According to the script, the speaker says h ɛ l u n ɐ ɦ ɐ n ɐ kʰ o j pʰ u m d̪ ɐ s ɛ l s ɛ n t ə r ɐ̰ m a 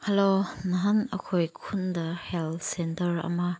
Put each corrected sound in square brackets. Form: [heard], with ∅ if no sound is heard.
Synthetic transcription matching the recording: h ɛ l [o] n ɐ ɦ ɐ n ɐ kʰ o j [kʰ] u [n] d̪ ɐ [h] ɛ l s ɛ n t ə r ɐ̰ m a